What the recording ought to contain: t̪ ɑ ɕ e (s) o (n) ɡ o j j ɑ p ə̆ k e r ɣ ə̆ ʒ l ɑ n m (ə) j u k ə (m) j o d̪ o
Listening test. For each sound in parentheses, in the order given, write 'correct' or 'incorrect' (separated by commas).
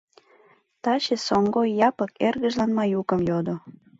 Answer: correct, incorrect, incorrect, correct